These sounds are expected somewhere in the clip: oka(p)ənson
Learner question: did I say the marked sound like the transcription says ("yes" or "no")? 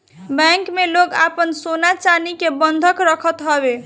yes